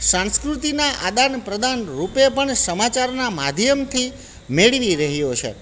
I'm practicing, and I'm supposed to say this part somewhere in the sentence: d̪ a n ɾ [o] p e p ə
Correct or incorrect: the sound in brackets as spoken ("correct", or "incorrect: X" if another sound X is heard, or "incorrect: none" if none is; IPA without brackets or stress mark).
incorrect: u